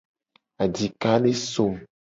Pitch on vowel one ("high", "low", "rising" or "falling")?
low